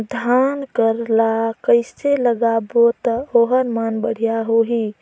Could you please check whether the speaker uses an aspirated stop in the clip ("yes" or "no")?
no